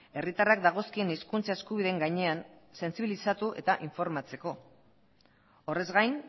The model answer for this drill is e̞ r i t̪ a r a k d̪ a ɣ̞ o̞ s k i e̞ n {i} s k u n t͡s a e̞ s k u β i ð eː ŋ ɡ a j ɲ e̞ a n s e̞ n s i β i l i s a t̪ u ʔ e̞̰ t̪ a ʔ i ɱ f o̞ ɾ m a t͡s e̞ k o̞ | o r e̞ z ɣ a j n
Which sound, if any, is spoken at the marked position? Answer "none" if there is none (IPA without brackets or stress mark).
i